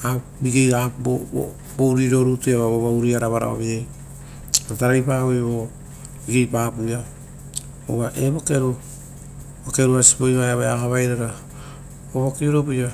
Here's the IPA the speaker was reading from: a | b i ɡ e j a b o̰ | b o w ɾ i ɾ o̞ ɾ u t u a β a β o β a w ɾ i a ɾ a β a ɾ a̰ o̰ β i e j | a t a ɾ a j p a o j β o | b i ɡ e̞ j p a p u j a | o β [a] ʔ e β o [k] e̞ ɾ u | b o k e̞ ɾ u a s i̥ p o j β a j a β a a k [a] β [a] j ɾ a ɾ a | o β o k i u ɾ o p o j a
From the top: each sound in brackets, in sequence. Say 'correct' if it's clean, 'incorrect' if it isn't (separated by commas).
correct, correct, correct, correct